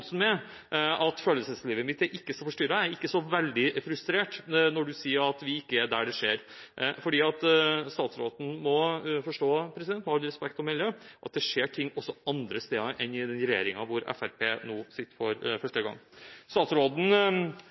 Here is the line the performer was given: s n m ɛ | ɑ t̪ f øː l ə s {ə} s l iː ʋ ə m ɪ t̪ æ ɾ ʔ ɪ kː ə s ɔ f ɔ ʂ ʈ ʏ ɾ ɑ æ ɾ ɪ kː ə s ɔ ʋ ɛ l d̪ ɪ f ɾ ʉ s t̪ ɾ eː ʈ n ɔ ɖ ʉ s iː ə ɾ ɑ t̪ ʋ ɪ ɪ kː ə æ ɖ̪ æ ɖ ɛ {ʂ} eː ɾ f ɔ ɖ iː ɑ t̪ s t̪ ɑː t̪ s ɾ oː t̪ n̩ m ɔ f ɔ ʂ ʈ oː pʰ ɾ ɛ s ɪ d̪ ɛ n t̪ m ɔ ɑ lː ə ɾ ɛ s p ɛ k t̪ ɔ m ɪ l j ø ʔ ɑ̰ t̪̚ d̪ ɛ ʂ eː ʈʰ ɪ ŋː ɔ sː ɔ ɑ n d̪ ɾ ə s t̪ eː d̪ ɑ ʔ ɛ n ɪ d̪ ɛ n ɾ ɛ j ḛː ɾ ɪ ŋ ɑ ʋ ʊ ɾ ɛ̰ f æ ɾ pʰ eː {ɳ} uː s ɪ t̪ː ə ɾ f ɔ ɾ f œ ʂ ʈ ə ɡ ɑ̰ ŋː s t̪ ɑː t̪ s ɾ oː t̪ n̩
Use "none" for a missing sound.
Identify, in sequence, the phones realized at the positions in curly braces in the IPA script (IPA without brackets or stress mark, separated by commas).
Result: ə, ʂ, n